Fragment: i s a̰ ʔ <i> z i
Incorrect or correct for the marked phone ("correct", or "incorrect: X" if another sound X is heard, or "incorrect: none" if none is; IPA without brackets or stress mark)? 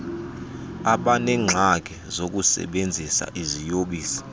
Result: correct